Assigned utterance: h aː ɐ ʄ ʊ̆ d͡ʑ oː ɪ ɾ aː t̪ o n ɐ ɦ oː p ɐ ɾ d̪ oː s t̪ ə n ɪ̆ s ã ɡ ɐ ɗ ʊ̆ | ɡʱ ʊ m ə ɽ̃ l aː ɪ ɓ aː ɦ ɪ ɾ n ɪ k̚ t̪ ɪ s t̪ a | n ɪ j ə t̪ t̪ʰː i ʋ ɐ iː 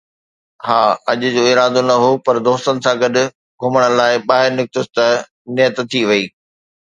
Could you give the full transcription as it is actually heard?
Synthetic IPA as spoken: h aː ɐ ʄ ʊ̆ d͡ʑ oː ɪ ɾ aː d̪ o n ɐ ɦ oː p ɐ ɾ d̪ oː s t̪ ə n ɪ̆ s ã ɡ ɐ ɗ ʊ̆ | ɡʱ ʊ m ə ɽ̃ l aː ɪ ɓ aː ɦ ɪ ɾ n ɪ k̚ t̪ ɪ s t̪ ɐ | n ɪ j ə t̪ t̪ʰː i ʋ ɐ iː